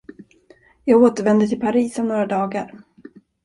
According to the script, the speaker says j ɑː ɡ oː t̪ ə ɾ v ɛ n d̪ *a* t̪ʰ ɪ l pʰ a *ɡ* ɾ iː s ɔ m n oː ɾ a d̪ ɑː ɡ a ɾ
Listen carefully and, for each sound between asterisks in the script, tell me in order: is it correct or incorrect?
incorrect: ə, incorrect: none

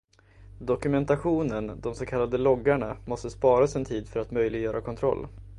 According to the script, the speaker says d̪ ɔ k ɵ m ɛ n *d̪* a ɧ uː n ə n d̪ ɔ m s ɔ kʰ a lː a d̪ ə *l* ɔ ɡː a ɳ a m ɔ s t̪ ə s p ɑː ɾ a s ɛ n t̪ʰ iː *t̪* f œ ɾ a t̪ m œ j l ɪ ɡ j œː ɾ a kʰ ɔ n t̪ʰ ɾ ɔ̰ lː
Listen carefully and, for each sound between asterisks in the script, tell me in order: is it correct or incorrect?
incorrect: t̪, correct, incorrect: d̪

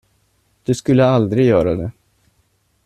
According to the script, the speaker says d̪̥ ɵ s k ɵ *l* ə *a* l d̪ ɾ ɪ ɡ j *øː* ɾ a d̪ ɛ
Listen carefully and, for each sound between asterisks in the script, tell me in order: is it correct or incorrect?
incorrect: lː, correct, incorrect: œː

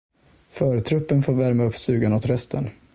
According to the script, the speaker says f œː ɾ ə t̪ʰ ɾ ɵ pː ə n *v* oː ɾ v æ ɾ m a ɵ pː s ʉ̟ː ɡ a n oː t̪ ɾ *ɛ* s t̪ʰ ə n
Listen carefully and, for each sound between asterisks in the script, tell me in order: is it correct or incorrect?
incorrect: f, correct

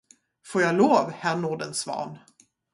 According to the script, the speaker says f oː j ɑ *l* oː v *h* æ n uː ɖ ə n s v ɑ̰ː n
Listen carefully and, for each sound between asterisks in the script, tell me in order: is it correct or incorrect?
correct, correct

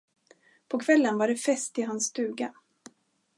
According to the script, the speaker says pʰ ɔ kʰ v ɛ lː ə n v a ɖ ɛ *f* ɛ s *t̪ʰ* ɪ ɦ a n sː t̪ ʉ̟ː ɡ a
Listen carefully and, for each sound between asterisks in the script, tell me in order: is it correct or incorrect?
correct, incorrect: t̪

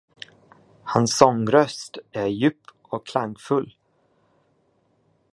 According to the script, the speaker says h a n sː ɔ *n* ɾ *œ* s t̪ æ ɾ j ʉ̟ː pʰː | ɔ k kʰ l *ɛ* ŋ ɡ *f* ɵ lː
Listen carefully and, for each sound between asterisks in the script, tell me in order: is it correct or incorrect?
incorrect: ŋ, correct, incorrect: a, correct

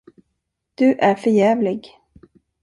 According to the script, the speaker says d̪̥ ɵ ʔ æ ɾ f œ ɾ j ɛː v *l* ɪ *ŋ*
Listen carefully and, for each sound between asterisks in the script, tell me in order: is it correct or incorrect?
correct, incorrect: ɡ

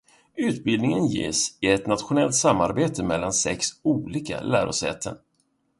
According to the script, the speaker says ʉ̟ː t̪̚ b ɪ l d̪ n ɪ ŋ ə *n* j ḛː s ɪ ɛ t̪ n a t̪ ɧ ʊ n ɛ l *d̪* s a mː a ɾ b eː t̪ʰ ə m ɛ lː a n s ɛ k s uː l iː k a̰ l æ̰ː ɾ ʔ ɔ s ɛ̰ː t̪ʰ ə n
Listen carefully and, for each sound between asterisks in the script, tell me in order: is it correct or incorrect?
correct, incorrect: t̪

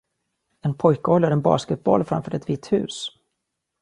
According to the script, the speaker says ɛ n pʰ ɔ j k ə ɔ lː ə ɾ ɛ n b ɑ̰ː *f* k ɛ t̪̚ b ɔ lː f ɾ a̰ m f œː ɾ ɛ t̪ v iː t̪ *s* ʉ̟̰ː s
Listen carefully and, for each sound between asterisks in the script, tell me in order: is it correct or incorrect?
incorrect: s, incorrect: h

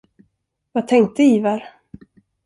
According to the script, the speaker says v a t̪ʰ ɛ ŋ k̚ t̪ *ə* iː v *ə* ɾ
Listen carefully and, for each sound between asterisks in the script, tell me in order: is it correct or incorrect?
correct, incorrect: a

